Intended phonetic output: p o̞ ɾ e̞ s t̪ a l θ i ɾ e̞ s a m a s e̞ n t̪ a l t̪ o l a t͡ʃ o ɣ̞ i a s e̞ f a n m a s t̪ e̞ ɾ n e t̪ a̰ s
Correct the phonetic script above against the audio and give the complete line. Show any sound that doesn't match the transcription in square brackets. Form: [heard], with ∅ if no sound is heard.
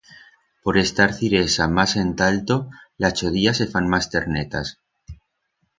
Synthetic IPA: p o̞ ɾ e̞ s t̪ a [ɾ] θ i ɾ e̞ s a m a s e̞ n t̪ a l t̪ o l a t͡ʃ o [ð̞] i a s e̞ f a n m a s t̪ e̞ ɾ n e t̪ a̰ s